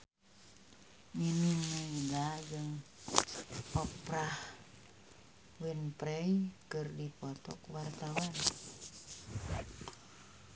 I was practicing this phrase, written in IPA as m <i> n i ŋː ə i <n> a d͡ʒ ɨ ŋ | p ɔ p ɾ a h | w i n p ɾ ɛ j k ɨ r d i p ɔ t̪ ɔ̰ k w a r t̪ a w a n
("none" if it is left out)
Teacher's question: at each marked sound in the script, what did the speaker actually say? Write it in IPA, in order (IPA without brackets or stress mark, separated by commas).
i, d